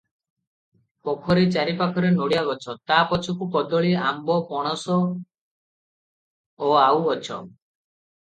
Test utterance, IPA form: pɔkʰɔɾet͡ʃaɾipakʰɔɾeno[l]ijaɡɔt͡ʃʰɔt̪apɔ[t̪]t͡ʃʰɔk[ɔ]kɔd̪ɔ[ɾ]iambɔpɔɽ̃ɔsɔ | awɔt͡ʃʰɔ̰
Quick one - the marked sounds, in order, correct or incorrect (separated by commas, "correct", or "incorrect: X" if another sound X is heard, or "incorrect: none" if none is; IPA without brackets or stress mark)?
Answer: incorrect: ɽ, incorrect: none, incorrect: u, incorrect: ɭ